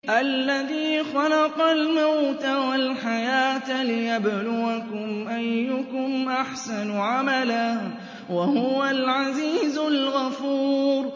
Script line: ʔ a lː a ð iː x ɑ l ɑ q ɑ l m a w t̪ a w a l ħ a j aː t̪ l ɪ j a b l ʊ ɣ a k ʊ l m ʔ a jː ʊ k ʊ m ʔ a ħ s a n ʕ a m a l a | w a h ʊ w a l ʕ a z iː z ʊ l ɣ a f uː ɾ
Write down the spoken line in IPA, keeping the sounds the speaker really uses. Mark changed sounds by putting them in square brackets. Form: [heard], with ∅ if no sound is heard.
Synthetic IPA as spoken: ʔ a lː a ð iː x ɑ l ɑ q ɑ l m a w t̪ a w a l ħ a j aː t̪ l ɪ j a b l ʊ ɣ a k ʊ [∅] m ʔ a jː ʊ k ʊ m ʔ a ħ s a n ʕ a m a l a | w a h ʊ w a l ʕ a z iː z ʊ l ɣ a f uː ɾ